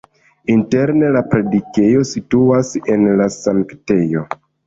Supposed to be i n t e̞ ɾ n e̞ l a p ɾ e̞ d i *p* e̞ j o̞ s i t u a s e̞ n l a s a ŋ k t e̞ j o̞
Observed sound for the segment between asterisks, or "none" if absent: k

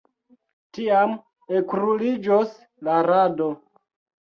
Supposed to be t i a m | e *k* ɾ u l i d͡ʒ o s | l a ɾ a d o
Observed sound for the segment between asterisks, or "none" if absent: k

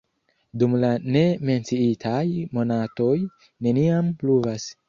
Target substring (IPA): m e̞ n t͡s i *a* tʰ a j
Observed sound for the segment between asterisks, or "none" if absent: i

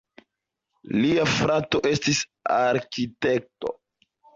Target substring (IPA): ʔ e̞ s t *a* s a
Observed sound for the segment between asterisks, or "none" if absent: i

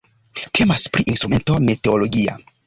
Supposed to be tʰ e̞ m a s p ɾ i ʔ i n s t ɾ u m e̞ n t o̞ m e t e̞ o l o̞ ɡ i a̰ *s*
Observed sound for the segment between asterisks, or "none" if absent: none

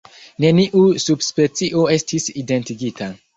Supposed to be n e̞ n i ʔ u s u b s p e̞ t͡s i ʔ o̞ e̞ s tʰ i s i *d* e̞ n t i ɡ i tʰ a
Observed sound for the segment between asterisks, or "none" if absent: d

